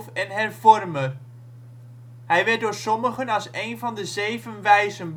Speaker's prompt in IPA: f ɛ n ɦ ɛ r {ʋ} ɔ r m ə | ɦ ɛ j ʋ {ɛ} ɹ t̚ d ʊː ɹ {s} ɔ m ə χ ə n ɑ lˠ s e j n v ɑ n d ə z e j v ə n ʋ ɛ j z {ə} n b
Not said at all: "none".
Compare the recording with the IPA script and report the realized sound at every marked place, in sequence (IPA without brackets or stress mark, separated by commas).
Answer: v, ɛ, s, ə